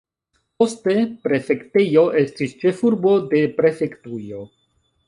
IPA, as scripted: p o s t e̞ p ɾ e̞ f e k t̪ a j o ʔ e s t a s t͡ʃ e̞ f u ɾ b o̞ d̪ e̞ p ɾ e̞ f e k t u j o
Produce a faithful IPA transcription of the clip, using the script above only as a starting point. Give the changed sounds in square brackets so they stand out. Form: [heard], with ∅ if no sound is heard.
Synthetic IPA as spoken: p o s t e̞ p ɾ e̞ f e k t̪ [e] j o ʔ e s t [i] s t͡ʃ e̞ f u ɾ b o̞ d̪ e̞ p ɾ e̞ f e k t u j o